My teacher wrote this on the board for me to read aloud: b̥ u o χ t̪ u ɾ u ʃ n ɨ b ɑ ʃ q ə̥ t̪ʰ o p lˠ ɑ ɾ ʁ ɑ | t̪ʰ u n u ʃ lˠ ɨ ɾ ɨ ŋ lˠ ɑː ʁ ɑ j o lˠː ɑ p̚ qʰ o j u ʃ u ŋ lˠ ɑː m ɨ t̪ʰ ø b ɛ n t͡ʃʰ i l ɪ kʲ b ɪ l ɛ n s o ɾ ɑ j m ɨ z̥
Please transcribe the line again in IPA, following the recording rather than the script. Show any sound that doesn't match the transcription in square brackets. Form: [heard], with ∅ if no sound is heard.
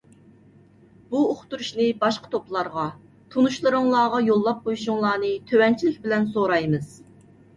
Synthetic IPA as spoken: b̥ u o χ t̪ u ɾ u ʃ n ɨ b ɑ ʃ q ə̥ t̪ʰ o p lˠ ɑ ɾ ʁ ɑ | t̪ʰ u n u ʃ lˠ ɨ ɾ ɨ ŋ lˠ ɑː ʁ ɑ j o lˠː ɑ p̚ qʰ o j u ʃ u ŋ lˠ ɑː [n] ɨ t̪ʰ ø [w] ɛ n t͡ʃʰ i l ɪ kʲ b ɪ l ɛ n s o ɾ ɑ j m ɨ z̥